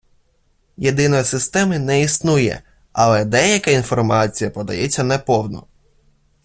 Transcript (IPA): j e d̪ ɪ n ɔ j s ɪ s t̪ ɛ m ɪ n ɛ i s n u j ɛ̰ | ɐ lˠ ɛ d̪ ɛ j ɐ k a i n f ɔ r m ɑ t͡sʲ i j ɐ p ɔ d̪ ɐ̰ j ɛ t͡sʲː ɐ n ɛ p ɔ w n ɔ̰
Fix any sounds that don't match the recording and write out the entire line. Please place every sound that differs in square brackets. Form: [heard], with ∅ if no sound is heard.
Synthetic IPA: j e d̪ ɪ n ɔ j s ɪ s t̪ ɛ m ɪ n ɛ i s n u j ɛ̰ | ɐ lˠ ɛ d̪ ɛ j ɐ k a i n f ɔ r m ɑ t͡sʲ i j ɐ p ɔ d̪ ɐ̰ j ɛ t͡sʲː ɐ n ɛ p ɔ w n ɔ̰